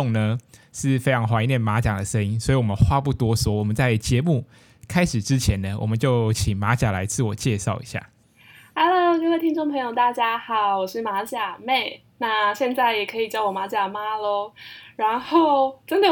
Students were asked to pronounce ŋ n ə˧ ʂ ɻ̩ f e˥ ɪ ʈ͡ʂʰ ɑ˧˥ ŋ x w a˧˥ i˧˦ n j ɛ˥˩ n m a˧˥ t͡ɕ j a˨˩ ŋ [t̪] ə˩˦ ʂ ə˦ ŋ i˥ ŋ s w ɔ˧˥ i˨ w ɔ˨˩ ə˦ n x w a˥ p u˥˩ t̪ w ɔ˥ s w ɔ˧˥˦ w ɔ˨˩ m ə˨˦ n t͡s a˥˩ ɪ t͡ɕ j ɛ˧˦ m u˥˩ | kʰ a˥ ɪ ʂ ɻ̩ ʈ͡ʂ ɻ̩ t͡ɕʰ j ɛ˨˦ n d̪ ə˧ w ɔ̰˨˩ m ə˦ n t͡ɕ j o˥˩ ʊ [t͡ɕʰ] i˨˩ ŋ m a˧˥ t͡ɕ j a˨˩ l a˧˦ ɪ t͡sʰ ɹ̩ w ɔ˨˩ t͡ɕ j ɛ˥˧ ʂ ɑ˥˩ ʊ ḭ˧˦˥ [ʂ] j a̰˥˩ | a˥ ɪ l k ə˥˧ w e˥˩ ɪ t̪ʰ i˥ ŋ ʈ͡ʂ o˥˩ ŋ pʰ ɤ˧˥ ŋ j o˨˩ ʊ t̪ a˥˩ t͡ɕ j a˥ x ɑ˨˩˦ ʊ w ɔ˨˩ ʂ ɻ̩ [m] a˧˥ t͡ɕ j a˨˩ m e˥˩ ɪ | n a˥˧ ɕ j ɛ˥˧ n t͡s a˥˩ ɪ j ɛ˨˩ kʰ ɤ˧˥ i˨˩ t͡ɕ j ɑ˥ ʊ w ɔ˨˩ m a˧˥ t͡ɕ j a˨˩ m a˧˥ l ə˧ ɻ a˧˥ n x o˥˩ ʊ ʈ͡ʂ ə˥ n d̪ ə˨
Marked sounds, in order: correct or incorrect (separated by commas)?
incorrect, correct, incorrect, correct